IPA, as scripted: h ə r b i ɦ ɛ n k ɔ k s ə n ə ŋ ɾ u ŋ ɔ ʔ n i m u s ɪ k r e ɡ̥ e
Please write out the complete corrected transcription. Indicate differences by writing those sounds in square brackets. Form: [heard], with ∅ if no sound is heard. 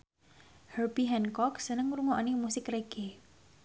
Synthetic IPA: h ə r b i ɦ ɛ n k ɔ k s ə n ə ŋ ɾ u ŋ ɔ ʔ n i m u s ɪ k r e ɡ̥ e